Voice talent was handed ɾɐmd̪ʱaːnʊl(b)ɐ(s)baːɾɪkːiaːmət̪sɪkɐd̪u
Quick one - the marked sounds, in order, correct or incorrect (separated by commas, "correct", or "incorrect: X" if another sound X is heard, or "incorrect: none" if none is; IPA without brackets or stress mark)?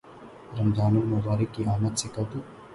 incorrect: m, incorrect: none